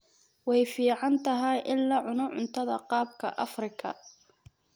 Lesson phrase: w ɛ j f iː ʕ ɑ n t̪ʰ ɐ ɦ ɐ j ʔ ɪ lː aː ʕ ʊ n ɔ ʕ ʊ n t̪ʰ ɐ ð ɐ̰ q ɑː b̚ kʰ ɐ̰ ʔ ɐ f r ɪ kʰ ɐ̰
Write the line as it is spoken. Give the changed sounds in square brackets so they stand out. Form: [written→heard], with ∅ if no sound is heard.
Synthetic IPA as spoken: w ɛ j f iː ʕ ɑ n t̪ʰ ɐ ɦ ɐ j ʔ ɪ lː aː ʕ ʊ n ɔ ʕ ʊ n t̪ʰ ɐ ð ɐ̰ q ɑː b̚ kʰ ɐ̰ ʔ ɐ f r ɪ kʰ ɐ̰